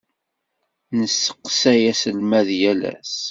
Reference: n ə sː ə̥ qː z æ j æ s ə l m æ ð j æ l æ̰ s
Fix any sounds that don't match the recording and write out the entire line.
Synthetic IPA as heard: n ə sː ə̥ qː s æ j æ s ə l m æ ð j æ l æ̰ s